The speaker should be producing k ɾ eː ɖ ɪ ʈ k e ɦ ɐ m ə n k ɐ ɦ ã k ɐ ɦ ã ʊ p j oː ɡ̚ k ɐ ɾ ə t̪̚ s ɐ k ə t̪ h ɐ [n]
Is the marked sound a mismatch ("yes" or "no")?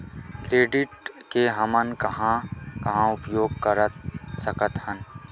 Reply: no